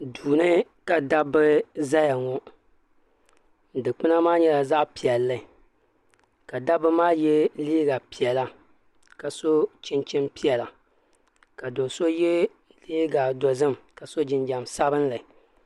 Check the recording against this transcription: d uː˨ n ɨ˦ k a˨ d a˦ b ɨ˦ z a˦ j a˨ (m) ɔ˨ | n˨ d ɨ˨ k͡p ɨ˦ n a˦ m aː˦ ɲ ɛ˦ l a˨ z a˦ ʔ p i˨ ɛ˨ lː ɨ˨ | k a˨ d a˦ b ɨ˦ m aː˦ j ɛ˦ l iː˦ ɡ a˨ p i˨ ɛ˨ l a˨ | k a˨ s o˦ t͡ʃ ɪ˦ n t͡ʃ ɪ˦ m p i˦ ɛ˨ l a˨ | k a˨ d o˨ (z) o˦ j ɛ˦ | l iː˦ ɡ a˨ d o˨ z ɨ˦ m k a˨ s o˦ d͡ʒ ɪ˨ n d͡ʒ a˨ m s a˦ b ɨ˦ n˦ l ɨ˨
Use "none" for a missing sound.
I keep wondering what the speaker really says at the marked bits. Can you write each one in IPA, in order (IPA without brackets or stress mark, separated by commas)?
ŋ, s